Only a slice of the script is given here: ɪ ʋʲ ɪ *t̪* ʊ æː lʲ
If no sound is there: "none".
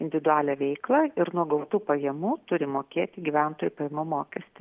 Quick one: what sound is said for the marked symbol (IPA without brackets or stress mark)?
d̪